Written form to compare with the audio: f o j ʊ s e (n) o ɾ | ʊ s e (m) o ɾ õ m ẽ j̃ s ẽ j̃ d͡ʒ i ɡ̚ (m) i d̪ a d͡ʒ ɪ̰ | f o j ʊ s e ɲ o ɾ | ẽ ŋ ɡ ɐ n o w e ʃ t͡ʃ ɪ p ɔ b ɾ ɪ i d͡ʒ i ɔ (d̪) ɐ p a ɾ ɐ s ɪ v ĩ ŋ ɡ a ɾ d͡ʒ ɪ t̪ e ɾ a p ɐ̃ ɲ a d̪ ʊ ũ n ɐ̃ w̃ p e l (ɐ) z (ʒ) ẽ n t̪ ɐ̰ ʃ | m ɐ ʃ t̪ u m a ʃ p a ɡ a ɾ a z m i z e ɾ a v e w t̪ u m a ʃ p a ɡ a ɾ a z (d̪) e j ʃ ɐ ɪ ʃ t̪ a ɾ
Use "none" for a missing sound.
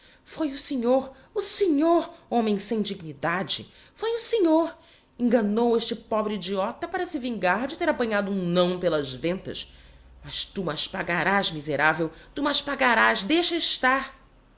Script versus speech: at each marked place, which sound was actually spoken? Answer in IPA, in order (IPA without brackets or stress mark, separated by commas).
ɲ, ɲ, n, t̪, ɐ, v, d̪